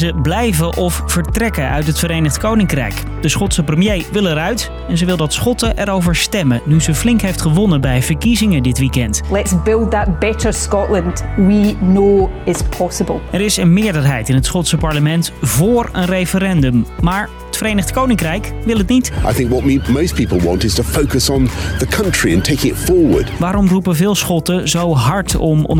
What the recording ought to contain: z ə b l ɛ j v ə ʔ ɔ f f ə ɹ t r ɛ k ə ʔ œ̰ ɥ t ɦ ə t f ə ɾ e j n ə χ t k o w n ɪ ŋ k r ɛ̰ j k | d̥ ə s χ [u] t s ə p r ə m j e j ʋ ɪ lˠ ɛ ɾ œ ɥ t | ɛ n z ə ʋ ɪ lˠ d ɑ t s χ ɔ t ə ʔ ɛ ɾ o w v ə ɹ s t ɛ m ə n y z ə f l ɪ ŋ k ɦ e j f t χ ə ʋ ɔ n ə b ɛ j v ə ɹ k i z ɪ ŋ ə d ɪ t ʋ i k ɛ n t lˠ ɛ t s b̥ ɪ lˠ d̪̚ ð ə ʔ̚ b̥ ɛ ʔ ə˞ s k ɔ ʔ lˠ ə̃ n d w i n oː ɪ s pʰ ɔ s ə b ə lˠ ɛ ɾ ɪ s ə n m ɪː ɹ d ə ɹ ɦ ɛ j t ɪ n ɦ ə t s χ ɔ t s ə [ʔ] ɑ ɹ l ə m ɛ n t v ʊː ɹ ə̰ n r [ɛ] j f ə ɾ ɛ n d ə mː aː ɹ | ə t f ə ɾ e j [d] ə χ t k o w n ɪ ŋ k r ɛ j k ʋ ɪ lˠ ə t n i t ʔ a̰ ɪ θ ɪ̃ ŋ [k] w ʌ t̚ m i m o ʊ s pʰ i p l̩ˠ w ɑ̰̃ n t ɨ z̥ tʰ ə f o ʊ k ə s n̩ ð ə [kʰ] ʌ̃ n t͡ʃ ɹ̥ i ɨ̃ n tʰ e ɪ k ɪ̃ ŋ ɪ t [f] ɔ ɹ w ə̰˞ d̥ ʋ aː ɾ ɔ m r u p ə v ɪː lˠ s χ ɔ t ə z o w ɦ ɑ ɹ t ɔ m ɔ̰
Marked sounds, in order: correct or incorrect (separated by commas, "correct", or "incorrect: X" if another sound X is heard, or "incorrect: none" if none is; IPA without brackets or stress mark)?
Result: incorrect: ɔ, incorrect: p, incorrect: e, incorrect: n, correct, correct, correct